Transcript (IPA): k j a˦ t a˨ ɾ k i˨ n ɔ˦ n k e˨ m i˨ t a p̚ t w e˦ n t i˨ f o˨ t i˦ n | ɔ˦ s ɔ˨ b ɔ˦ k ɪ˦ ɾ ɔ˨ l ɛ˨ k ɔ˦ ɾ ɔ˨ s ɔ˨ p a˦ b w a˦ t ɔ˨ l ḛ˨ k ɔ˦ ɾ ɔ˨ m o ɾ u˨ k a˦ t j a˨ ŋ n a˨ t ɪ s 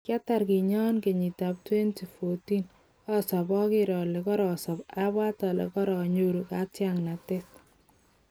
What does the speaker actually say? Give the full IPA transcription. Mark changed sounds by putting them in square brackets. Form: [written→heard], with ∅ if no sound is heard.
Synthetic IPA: k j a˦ t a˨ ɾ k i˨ [n→ɲ] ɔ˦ n k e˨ [m→ɲ] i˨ t a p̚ t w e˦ n t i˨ f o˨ t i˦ n | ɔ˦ s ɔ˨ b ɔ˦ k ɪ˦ ɾ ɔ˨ l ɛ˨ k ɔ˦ ɾ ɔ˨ s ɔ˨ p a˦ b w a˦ t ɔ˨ l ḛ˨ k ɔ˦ ɾ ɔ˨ [m→ɲ] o ɾ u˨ k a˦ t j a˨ ŋ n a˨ t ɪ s

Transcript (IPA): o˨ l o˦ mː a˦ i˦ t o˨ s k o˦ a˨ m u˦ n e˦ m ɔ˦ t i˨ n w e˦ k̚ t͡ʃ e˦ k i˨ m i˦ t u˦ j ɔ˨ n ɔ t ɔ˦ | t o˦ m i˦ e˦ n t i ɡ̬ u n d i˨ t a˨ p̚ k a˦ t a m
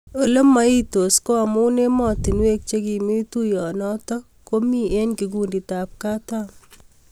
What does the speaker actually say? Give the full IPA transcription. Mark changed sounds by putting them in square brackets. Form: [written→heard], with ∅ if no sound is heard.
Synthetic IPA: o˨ l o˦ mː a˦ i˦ t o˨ s k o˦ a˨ m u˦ n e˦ m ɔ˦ t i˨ n w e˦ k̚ t͡ʃ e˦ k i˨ m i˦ t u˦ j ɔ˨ n ɔ t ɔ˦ | [t→k] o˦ m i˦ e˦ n [t→k] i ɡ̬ u n d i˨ t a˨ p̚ k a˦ t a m

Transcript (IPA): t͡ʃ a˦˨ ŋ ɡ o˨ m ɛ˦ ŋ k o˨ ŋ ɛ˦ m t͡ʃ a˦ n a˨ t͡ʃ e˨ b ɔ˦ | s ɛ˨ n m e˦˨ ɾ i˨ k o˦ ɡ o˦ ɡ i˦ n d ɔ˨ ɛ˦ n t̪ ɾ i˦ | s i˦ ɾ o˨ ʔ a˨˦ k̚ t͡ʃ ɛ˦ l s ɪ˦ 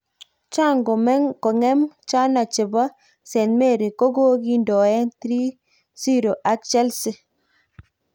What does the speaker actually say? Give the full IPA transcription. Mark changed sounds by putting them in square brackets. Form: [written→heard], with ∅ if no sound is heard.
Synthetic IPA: t͡ʃ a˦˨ ŋ ɡ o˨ m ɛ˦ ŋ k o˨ ŋ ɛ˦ m t͡ʃ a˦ n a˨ t͡ʃ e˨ b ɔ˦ | s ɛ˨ n m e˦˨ ɾ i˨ k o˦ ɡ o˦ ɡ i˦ n d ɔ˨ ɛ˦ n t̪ ɾ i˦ | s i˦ ɾ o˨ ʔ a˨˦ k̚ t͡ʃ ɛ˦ l s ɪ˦

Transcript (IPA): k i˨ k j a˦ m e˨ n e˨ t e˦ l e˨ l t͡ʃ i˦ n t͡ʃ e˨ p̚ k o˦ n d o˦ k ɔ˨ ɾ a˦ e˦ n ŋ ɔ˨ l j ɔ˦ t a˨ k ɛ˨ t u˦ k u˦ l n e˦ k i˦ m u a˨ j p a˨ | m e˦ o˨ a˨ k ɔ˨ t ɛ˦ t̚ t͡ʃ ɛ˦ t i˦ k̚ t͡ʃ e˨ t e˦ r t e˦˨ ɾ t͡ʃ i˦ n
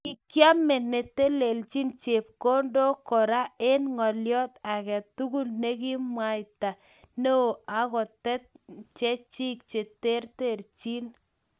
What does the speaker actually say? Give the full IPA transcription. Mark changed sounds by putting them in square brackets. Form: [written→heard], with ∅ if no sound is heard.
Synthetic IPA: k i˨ k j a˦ m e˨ n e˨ t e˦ l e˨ l t͡ʃ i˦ n t͡ʃ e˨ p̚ k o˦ n d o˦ k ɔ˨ ɾ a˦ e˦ n ŋ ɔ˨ l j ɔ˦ t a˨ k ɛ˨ t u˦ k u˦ l n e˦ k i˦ m [u→w] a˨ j [p→t] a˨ | [m→n] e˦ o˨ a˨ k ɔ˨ t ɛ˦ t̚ t͡ʃ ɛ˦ [t→t͡ʃ] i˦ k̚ t͡ʃ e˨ t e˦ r t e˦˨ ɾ t͡ʃ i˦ n

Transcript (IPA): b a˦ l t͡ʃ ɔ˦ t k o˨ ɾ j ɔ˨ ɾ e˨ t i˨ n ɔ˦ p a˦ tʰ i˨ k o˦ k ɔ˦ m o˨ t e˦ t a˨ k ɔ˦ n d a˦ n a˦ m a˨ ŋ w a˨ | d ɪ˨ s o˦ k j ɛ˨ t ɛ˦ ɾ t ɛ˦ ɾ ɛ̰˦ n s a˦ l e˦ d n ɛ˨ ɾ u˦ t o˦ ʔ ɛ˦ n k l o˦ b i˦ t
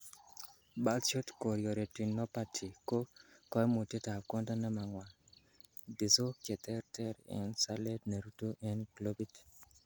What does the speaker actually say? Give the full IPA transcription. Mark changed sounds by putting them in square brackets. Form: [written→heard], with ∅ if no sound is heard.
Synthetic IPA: b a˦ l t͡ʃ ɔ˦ t k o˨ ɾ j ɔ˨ ɾ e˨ t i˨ n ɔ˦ p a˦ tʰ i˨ k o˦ k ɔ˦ m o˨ t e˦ t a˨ k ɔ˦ n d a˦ n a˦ m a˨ ŋ w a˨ | d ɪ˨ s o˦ k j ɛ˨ t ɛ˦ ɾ t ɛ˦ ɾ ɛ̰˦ n s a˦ l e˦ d n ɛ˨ ɾ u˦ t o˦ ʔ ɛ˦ n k l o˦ b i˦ t

